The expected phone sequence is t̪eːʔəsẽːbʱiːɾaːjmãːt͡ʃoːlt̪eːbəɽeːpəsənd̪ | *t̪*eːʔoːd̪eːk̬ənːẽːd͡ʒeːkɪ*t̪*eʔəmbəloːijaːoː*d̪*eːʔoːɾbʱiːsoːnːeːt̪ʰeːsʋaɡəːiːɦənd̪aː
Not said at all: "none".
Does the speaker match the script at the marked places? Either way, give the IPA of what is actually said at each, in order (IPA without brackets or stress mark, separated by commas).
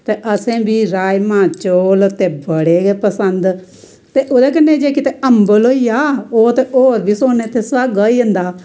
t̪, t̪, t̪